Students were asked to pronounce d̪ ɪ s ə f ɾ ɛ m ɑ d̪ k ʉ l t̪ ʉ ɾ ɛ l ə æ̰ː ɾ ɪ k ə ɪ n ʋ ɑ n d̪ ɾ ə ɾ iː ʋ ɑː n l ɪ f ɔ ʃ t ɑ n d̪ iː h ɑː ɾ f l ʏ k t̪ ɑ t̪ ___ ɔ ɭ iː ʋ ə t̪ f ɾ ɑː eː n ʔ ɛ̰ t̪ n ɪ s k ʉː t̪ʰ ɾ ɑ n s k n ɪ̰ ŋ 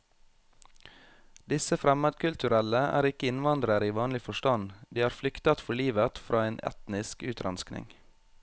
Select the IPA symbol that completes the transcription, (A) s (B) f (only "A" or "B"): B